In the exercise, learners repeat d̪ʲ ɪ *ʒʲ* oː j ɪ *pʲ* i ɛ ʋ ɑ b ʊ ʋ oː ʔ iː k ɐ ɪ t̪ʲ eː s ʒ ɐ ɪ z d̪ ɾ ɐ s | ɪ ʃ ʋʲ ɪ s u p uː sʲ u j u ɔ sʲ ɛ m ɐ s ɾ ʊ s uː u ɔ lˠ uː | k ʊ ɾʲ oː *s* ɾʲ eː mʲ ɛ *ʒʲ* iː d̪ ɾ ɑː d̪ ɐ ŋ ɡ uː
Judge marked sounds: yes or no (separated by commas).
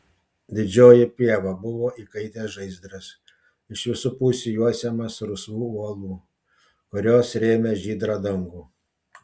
no, yes, yes, yes